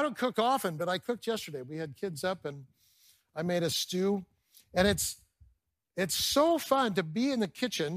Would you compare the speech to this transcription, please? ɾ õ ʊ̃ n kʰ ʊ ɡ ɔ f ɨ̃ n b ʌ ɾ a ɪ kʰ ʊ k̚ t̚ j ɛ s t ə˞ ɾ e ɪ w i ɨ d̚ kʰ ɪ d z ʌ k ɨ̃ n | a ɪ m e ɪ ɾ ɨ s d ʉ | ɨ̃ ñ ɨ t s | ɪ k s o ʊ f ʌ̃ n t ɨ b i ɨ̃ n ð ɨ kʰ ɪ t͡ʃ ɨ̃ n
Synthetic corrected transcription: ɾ õ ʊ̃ n kʰ ʊ k ɔ f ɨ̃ n b ʌ ɾ a ɪ kʰ ʊ k̚ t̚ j ɛ s t ə˞ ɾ e ɪ w i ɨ d̚ kʰ ɪ d z ʌ p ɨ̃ n | a ɪ m e ɪ ɾ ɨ s t ʉ | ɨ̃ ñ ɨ t s | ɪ t s o ʊ f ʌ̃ n t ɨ b i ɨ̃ n ð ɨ kʰ ɪ t͡ʃ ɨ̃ n